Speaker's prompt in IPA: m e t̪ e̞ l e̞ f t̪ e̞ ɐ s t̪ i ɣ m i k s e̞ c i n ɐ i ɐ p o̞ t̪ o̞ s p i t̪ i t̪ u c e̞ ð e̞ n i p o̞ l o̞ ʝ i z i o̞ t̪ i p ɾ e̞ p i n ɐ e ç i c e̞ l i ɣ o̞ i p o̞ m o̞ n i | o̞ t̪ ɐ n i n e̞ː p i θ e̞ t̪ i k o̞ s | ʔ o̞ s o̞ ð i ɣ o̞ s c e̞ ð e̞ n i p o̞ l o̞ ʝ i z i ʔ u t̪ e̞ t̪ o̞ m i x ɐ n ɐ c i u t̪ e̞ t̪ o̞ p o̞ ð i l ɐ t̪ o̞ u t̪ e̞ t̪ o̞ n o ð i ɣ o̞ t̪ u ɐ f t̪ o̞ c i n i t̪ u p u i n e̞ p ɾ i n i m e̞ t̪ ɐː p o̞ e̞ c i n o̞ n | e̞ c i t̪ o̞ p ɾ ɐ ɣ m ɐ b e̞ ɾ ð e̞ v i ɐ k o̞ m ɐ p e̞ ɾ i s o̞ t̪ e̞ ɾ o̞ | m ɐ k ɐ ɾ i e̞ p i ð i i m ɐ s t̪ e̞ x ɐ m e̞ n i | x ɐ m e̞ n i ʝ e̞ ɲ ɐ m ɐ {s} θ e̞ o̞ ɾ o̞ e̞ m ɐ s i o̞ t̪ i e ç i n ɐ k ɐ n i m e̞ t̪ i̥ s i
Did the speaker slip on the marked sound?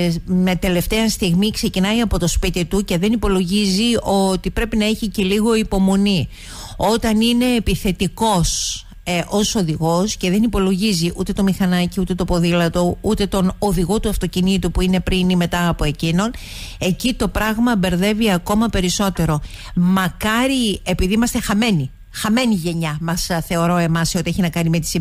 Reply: no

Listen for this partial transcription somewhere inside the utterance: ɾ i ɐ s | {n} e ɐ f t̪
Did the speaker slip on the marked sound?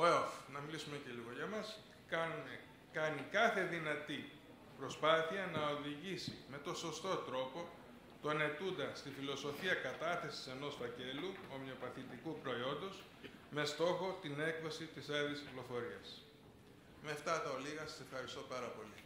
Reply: yes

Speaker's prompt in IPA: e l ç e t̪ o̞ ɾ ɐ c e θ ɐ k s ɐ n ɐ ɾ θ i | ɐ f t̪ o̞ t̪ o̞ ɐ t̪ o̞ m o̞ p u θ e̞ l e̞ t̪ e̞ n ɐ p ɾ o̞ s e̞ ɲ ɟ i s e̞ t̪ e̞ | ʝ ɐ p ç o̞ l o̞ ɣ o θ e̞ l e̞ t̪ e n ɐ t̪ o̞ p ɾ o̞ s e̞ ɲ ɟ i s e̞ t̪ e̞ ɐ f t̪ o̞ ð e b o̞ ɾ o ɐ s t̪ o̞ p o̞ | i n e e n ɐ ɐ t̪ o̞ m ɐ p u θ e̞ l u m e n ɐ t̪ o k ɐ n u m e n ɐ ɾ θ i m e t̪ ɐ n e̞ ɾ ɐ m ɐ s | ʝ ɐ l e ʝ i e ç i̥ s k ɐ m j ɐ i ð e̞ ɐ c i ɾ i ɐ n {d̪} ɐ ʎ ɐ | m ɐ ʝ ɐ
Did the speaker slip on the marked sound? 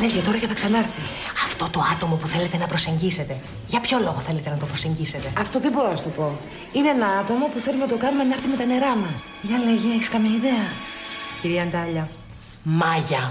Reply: no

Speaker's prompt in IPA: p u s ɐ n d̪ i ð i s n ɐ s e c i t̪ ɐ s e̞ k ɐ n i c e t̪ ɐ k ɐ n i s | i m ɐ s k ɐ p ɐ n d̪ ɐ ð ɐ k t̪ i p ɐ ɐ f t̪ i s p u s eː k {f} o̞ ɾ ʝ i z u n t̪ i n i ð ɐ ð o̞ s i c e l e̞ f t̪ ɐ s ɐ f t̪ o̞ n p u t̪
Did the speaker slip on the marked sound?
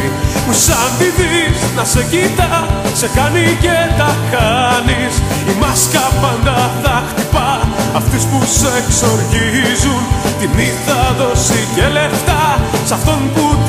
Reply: yes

